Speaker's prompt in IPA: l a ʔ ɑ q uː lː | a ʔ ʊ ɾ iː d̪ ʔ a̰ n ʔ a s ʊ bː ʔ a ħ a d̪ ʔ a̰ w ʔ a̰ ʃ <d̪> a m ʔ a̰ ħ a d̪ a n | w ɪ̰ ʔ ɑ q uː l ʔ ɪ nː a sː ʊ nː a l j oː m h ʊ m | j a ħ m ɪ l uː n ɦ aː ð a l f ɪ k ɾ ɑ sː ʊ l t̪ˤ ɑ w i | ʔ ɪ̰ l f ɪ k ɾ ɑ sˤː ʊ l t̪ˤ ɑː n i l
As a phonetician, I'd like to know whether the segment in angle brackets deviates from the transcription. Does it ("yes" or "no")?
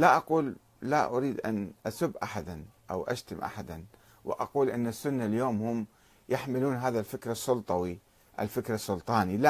yes